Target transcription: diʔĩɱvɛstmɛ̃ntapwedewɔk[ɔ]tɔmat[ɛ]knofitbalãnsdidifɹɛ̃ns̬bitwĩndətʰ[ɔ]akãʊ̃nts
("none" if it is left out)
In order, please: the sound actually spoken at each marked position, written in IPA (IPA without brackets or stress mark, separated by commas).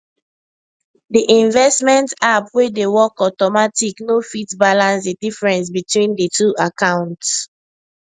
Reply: ɔ, i, u